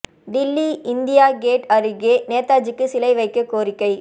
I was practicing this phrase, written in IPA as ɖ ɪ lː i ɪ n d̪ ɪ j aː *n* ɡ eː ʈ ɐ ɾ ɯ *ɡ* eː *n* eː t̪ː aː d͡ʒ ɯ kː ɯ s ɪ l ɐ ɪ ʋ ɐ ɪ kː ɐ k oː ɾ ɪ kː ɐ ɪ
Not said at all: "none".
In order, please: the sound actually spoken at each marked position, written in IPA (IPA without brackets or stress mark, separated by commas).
none, ɡ, n